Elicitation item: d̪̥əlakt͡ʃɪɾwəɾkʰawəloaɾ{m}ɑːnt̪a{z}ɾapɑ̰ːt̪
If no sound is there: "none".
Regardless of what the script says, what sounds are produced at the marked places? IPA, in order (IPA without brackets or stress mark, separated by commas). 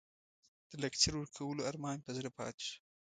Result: m, z